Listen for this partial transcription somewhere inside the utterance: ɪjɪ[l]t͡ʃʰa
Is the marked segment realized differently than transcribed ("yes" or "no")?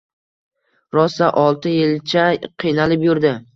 no